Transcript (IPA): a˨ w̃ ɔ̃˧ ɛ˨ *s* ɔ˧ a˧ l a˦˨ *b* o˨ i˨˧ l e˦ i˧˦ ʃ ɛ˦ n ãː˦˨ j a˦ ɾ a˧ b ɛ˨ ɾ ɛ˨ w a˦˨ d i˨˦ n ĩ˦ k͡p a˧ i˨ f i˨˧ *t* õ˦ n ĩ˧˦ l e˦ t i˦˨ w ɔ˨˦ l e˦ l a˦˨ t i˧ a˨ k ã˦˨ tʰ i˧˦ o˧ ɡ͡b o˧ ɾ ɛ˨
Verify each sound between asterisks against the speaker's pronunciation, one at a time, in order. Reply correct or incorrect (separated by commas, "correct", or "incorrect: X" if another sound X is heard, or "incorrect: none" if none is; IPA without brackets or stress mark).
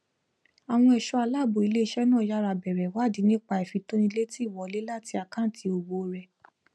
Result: incorrect: ʃ, correct, correct